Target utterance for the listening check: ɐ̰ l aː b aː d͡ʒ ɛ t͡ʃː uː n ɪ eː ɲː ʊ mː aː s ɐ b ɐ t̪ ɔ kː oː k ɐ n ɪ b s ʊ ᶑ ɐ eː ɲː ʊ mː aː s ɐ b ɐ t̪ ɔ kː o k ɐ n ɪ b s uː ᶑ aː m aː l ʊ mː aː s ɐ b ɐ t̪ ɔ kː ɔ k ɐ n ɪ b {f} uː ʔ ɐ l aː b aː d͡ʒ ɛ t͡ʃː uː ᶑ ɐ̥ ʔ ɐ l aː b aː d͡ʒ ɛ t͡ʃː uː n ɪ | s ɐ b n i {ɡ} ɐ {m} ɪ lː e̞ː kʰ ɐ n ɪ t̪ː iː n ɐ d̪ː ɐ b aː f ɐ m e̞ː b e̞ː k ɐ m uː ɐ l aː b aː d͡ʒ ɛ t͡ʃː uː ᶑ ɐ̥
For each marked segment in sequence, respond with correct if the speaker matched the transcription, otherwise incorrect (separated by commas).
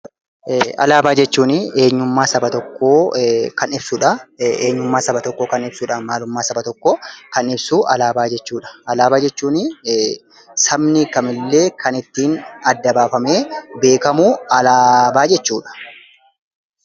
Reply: incorrect, incorrect, correct